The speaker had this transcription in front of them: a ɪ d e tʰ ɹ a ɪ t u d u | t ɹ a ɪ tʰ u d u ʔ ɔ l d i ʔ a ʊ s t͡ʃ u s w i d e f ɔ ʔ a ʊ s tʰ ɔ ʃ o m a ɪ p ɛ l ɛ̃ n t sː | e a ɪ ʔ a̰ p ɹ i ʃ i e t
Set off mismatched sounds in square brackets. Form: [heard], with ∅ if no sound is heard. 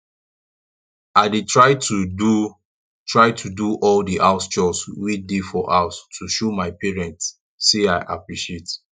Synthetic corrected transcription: a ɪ d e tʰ ɹ a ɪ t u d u | t ɹ a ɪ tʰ u d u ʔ ɔ l d i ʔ a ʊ s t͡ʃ [ɔ] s w i d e f ɔ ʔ a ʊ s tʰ [u] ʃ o m a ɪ p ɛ [ɹ] ɛ̃ n t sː | e a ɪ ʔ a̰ p ɹ i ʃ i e t

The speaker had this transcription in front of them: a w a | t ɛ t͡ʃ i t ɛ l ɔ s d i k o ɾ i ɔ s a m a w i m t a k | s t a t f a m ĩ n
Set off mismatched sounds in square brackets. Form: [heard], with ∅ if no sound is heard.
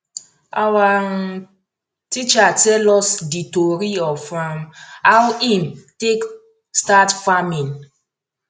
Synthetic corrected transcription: a w a | t [i] t͡ʃ [a] t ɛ l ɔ s d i [t] o ɾ i ɔ [f] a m a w i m t [e] k | s t a t f a m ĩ n

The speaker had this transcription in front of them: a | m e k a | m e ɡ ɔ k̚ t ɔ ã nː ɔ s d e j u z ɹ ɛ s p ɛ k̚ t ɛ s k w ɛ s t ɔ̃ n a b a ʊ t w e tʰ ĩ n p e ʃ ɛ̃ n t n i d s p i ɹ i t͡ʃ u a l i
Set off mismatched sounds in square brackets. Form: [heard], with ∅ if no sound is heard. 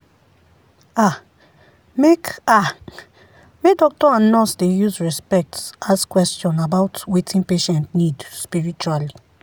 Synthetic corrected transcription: a | m e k a | m e [d] ɔ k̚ t ɔ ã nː ɔ s d e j u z ɹ ɛ s p ɛ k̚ t [a] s k w ɛ s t ɔ̃ n a b a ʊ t w e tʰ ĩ n p e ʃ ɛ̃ n t n i d s p i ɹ i t͡ʃ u a l i

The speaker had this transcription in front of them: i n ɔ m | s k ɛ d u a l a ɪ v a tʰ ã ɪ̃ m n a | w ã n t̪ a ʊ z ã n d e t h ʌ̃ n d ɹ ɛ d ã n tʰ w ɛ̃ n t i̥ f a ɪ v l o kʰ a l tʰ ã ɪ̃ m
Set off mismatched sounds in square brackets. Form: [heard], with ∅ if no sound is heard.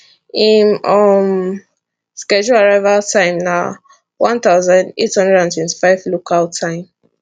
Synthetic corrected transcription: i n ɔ m | s k ɛ [d͡ʒ] u a [ɹ] a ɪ v a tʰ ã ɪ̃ m n a | w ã n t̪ a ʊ z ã n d e t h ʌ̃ n d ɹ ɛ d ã n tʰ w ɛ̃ n t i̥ f a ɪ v l o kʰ a l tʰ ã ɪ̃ m

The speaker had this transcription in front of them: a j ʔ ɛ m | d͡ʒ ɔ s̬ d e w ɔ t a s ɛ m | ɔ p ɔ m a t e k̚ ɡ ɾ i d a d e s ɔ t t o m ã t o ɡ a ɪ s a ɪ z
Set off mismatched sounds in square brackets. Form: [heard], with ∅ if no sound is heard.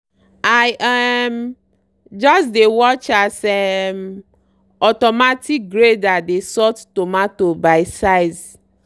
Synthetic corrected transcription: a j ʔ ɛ m | d͡ʒ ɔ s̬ d e w ɔ [t͡ʃ] a s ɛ m | ɔ [t] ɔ m a t [i] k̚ ɡ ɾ [e] d a d e s ɔ t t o m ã t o [b] a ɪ s a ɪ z

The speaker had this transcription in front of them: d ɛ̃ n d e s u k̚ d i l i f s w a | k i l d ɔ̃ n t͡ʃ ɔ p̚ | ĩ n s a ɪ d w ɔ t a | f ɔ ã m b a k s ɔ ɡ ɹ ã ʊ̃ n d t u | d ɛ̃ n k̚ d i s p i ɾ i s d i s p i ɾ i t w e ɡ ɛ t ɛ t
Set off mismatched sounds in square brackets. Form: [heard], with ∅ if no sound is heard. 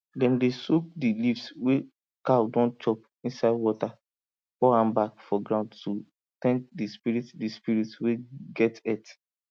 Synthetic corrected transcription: d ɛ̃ n d e s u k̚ d i l i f s w [e] | k [a] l d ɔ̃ n t͡ʃ ɔ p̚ | ĩ n s a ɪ d w ɔ t a | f ɔ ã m b a k [f] ɔ ɡ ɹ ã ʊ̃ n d t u | [t] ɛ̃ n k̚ d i s p i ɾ i [t] d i s p i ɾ i t w e ɡ ɛ t ɛ t

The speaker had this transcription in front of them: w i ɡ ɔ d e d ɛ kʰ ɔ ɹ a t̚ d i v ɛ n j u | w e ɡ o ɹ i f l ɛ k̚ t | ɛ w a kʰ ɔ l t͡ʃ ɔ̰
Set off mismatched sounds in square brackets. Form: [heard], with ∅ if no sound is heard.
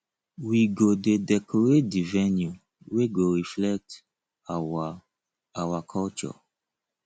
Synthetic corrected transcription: w i ɡ [o] d e d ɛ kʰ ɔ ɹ [e] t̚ d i v ɛ n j u | w e ɡ o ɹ i f l ɛ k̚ t | [a] w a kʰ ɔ l t͡ʃ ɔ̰

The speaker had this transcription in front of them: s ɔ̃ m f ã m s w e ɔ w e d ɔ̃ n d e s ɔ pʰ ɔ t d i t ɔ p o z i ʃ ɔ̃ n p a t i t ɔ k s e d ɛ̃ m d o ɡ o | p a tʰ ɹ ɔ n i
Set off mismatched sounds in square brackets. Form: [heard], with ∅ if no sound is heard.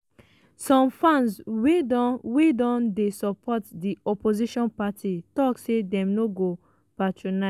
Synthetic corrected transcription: s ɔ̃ m f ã [n] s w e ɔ w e d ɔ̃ n d e s ɔ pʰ ɔ t d i [∅] ɔ p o z i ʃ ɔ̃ n p a t i t ɔ k s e d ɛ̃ m [n] o ɡ o | p a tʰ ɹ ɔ n [a]

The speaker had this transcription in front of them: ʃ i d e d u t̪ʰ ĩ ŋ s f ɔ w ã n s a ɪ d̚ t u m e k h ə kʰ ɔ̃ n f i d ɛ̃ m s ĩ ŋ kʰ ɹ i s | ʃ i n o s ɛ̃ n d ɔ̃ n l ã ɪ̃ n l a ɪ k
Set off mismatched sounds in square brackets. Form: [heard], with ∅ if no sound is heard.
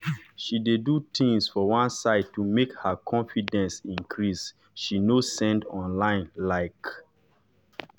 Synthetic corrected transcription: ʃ i d e d u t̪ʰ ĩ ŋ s f ɔ w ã n s a ɪ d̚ t u m e k h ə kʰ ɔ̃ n f i d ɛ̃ [n] s ĩ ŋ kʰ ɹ i s | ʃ i n o s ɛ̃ n d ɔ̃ n l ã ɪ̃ n l a ɪ k

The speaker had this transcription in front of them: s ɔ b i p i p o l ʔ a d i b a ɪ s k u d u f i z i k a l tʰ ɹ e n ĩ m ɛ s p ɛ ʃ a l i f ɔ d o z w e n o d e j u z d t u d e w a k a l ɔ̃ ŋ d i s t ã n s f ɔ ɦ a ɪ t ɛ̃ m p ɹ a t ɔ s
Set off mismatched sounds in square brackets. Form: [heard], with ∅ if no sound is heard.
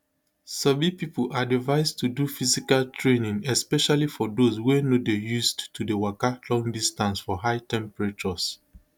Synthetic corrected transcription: s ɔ b i p i p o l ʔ a d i [v] a ɪ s [t] u d u f i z i k a l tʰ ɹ e n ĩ [ŋ] ɛ s p ɛ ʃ a l i f ɔ d o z w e n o d e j u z d t u d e w a k a l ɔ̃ ŋ d i s t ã n s f ɔ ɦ a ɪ t ɛ̃ m p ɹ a [t͡ʃ] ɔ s

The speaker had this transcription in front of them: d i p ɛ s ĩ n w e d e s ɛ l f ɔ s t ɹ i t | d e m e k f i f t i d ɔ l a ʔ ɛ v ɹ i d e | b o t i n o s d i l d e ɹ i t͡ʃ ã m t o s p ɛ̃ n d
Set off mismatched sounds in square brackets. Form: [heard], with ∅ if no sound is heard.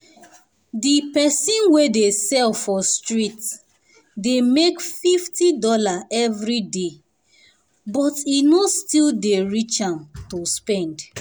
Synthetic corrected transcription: d i p ɛ s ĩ n w e d e s ɛ l f ɔ s t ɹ i t | d e m e k f i f t i d ɔ l a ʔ ɛ v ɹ i d e | b [ɔ] t i n o s [t] i l d e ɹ i t͡ʃ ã m t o s p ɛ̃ n d

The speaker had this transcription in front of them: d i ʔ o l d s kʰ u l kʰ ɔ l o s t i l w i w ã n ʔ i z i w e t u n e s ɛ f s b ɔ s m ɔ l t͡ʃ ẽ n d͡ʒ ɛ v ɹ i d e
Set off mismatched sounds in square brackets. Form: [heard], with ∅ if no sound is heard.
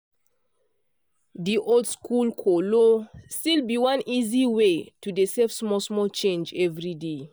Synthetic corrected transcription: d i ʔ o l d s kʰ u l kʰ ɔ l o s t i l [b] i w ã n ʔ i z i w e t u [d] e s ɛ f s [m] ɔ s m ɔ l t͡ʃ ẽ n d͡ʒ ɛ v ɹ i d e

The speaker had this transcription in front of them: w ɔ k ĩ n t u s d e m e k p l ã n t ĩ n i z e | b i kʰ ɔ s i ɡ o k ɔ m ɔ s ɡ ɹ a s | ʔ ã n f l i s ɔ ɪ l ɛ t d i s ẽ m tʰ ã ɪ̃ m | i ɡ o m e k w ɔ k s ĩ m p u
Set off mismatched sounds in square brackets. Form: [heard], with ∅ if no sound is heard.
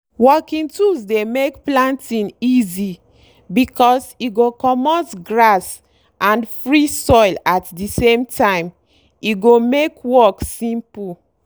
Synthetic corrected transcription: w ɔ k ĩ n t u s d e m e k p l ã n t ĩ n i z [i] | b i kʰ ɔ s i ɡ o k ɔ m ɔ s ɡ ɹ a s | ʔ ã n f [ɹ] i s ɔ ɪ l [a] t d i s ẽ m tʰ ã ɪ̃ m | i ɡ o m e k w ɔ k s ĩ m p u

